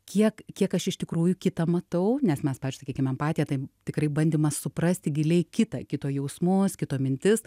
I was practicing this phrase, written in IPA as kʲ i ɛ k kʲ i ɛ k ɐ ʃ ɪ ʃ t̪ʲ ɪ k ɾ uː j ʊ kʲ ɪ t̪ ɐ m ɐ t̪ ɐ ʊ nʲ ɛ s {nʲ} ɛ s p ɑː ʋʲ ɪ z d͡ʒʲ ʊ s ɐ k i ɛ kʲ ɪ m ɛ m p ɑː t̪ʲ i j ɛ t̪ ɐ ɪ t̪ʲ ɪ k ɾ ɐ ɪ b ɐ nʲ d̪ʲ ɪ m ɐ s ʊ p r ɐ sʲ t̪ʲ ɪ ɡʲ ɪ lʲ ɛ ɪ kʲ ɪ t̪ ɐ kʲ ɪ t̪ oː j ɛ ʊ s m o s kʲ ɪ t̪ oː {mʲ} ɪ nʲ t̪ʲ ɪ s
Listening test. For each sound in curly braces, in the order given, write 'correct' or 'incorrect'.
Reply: incorrect: mʲ, correct

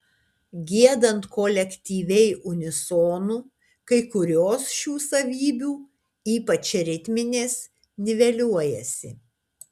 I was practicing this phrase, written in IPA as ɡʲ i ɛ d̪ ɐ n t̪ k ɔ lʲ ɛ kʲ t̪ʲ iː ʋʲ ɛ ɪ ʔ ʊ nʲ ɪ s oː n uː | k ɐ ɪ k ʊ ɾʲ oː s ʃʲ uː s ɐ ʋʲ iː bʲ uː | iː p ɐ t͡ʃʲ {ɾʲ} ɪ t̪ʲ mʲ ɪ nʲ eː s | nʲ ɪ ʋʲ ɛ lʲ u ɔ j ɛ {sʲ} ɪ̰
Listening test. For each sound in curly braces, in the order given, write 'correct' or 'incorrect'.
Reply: correct, correct

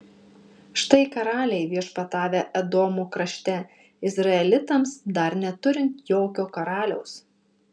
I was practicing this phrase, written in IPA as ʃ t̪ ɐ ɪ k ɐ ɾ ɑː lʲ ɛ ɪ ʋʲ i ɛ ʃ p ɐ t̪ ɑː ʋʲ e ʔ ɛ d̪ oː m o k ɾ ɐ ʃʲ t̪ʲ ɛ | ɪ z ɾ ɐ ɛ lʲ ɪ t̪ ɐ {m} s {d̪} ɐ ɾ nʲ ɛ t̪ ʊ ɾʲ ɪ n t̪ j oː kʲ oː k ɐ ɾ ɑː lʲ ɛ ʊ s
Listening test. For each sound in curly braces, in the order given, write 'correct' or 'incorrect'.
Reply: correct, correct

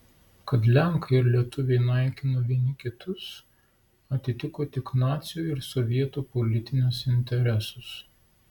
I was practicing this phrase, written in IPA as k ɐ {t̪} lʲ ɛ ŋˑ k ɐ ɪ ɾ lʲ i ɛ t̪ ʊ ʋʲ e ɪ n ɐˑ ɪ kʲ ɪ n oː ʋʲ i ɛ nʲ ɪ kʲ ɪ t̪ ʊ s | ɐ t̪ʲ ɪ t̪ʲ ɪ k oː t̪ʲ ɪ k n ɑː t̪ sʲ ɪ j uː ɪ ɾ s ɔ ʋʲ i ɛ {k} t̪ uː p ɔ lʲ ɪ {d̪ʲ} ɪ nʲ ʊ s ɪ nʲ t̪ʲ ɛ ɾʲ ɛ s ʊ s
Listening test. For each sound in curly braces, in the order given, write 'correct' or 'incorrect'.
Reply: correct, incorrect: none, incorrect: t̪ʲ

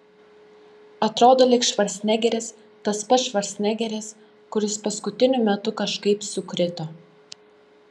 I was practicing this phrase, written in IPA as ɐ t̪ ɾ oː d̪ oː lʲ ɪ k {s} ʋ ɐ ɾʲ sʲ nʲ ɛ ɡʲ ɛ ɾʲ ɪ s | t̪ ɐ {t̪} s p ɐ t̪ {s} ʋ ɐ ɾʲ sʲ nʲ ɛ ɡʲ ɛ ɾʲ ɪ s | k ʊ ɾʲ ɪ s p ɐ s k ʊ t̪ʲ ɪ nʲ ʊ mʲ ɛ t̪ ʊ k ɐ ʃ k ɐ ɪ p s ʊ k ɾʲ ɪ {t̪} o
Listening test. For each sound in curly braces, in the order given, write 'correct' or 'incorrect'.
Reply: incorrect: ʃ, incorrect: none, incorrect: ʃ, correct

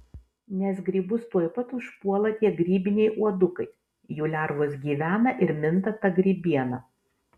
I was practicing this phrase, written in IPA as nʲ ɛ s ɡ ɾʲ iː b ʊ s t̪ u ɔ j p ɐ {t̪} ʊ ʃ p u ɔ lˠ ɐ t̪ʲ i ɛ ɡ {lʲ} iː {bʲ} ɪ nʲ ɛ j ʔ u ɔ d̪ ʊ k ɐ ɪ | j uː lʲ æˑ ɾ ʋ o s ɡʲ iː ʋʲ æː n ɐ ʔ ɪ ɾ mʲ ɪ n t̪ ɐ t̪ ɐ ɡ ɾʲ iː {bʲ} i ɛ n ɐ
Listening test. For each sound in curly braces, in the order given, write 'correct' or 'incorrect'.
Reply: correct, incorrect: ɾʲ, correct, correct

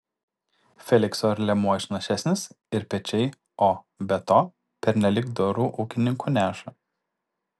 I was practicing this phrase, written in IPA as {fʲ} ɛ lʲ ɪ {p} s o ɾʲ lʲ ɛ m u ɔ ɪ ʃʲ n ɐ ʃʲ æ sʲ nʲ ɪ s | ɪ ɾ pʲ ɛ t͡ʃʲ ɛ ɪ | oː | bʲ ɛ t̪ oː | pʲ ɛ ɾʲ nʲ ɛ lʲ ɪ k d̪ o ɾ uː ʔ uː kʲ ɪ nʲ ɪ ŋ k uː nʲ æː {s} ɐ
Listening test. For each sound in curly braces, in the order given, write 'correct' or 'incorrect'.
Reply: correct, incorrect: k, incorrect: ʃ

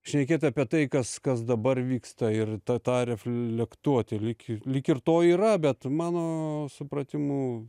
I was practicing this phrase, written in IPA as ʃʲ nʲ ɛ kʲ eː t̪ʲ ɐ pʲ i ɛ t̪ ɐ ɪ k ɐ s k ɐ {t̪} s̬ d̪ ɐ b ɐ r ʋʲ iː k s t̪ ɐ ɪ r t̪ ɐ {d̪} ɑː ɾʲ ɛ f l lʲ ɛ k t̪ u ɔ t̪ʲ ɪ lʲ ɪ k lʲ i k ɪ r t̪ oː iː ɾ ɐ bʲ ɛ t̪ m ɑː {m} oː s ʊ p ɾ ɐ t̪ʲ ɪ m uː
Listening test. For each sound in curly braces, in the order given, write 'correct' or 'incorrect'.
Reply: incorrect: none, incorrect: t̪, incorrect: n

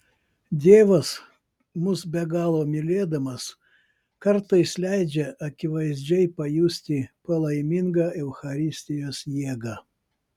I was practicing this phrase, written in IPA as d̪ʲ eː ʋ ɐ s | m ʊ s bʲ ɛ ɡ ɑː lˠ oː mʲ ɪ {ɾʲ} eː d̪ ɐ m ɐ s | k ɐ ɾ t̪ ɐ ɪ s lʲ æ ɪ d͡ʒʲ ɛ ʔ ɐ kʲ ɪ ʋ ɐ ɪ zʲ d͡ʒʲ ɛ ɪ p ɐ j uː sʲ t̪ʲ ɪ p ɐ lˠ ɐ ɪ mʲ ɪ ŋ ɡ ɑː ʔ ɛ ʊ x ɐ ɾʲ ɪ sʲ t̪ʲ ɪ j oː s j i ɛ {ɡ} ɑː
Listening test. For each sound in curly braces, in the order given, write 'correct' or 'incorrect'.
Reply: incorrect: lʲ, correct

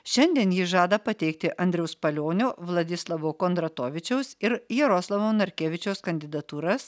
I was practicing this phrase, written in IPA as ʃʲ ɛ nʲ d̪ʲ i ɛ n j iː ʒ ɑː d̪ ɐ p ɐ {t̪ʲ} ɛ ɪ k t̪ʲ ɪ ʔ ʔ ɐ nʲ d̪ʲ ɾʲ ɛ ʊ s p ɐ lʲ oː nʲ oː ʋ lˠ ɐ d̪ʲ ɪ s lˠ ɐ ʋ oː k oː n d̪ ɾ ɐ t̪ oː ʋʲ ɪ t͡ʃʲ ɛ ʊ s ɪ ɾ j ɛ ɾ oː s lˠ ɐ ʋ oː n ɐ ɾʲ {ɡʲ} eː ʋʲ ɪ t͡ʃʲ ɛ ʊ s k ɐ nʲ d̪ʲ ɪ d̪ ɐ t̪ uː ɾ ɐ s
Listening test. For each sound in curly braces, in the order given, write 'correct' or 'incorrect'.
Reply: correct, incorrect: kʲ

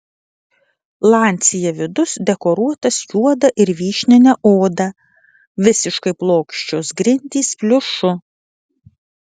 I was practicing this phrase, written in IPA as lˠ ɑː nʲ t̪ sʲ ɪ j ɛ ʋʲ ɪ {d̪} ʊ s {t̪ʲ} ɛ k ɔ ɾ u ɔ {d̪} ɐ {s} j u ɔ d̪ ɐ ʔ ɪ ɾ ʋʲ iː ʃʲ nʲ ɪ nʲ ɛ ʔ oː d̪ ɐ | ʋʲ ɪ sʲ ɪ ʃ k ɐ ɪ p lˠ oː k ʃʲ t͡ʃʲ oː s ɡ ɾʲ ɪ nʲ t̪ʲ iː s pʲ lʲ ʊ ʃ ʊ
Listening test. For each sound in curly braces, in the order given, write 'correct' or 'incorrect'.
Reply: correct, incorrect: d̪ʲ, incorrect: t̪, correct

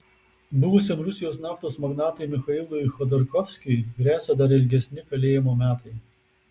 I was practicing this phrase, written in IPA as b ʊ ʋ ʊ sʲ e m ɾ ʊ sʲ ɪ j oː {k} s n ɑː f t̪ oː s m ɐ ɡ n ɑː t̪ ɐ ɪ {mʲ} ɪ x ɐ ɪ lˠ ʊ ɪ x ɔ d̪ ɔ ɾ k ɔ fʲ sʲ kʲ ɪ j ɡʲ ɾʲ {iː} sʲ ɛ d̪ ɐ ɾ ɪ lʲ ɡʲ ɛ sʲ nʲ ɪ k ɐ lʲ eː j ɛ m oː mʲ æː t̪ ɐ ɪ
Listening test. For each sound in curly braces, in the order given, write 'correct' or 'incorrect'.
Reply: incorrect: none, correct, incorrect: æː

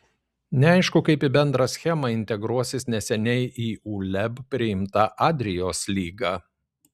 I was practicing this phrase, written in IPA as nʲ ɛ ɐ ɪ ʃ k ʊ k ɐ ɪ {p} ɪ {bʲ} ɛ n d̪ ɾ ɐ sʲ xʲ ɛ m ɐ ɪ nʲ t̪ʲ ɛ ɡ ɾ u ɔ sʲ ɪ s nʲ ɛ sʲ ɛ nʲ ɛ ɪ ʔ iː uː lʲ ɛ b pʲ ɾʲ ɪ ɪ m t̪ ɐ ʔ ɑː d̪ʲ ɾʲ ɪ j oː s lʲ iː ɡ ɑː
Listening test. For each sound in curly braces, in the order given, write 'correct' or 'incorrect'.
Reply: correct, correct

